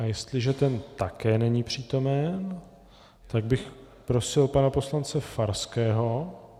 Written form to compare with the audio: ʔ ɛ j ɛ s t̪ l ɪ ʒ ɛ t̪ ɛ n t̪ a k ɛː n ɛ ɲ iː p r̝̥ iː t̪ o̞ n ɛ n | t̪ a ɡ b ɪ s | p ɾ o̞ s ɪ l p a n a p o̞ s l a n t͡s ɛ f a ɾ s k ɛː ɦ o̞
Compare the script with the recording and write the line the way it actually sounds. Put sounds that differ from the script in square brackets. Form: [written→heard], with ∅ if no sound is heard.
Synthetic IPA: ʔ [ɛ→a] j ɛ s t̪ l ɪ ʒ ɛ t̪ ɛ n t̪ a k ɛː n ɛ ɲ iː p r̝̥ iː t̪ o̞ [n→m] ɛ n | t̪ a ɡ b ɪ [s→x] | p ɾ o̞ s ɪ l p a n a p o̞ s l a n t͡s ɛ f a ɾ s k ɛː ɦ o̞